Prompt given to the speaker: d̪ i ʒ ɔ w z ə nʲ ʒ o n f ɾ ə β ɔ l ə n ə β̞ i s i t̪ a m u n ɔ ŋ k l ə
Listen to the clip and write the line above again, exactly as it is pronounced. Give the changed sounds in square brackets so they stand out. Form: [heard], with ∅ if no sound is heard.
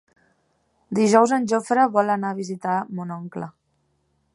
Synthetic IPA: d̪ i ʒ ɔ w z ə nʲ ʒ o [∅] f ɾ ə β ɔ l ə n [a] β̞ i [z] i t̪ a m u n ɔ ŋ k l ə